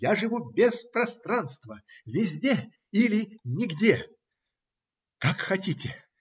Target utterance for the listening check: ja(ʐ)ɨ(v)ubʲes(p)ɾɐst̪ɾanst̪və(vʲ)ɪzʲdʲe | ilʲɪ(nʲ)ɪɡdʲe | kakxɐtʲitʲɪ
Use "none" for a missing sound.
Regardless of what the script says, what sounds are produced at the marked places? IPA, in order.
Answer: ʐ, v, p, vʲ, nʲ

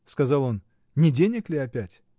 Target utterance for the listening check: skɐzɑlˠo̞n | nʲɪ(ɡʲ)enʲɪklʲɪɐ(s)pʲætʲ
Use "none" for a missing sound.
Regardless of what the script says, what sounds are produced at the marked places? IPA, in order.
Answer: dʲ, none

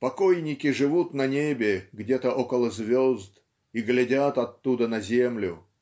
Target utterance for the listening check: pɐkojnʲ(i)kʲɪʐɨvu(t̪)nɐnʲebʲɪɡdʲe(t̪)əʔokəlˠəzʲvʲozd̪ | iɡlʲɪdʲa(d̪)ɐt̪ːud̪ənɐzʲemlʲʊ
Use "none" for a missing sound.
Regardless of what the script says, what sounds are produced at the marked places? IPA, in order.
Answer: ɪ, t̪, t̪, t̪

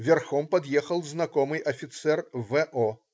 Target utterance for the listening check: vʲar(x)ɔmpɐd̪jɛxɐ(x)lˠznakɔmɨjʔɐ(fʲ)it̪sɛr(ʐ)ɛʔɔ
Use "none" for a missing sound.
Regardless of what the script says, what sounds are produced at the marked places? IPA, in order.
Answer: x, none, fʲ, v

